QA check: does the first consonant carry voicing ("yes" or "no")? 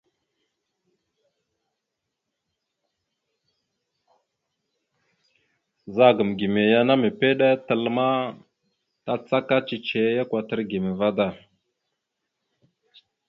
yes